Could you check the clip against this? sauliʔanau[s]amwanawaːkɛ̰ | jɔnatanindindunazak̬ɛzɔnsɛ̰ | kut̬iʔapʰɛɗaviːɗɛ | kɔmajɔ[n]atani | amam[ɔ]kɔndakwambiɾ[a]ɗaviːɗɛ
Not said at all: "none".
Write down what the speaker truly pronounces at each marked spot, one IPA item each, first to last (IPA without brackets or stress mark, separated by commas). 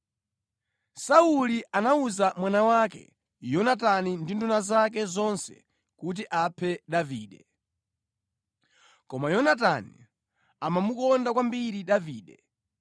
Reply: z, n, u, i